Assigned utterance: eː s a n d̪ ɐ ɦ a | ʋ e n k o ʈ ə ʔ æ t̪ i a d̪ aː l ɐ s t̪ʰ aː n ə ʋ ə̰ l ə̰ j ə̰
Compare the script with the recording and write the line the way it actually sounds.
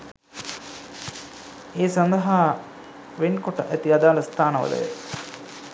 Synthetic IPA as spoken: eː s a n d̪ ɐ ɦ a | ʋ e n k o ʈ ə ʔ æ t̪ i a d̪ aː l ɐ s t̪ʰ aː n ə ʋ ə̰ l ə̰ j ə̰